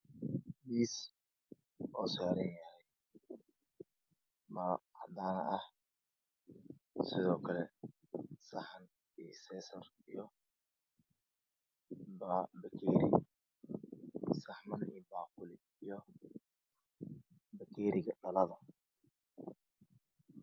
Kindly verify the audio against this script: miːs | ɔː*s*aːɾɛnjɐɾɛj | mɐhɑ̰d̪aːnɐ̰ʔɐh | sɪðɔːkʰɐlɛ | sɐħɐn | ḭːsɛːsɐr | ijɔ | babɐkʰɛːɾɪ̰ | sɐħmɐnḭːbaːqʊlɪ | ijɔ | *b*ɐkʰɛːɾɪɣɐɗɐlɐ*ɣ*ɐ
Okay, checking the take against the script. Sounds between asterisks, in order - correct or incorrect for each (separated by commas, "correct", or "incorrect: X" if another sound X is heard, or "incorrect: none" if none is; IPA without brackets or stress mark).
correct, correct, incorrect: ð